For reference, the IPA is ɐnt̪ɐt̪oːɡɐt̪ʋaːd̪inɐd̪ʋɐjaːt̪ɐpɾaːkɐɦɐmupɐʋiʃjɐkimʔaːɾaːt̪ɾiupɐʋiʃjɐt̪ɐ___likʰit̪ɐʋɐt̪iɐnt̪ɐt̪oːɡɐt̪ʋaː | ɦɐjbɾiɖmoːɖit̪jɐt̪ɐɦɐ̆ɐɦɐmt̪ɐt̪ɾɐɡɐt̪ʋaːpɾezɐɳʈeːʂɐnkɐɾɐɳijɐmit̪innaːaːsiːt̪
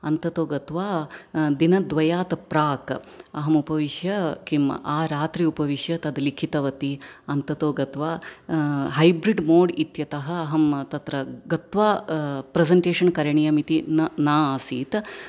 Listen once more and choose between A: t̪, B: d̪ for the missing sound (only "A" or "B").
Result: B